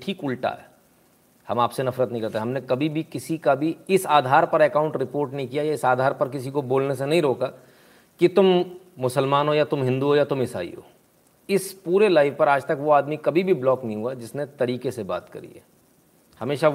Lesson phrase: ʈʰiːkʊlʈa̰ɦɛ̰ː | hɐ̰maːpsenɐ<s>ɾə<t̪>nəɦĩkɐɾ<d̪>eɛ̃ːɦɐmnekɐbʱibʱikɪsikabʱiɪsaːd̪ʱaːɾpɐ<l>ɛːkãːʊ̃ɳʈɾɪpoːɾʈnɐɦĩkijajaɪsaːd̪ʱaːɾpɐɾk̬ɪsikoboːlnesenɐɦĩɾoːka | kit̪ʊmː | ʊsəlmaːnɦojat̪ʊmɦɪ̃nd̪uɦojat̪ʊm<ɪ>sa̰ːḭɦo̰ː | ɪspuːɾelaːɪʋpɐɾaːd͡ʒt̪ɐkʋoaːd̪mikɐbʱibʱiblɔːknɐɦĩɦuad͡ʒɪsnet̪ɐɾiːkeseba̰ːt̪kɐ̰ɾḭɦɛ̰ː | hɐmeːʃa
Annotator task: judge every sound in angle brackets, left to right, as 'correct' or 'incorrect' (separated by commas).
incorrect, correct, incorrect, incorrect, correct